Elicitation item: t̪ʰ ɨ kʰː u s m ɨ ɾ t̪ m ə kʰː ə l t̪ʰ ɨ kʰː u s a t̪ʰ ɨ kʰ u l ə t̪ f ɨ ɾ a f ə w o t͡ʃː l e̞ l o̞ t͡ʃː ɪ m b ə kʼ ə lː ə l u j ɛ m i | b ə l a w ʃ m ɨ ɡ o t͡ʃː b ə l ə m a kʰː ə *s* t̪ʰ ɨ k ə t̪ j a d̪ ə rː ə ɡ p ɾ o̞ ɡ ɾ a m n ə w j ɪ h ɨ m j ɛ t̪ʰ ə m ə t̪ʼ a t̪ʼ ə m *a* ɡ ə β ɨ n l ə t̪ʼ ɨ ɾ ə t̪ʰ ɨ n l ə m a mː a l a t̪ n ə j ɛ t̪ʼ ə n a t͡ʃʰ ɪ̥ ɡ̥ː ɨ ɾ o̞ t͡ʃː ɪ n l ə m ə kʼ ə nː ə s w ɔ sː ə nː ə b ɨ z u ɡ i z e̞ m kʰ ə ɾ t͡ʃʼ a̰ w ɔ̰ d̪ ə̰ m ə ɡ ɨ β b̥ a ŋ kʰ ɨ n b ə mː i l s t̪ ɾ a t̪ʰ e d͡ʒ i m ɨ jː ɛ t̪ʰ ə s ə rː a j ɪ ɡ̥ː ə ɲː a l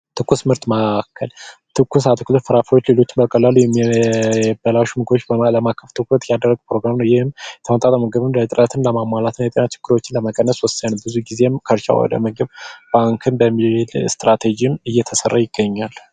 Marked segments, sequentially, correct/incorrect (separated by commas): incorrect, incorrect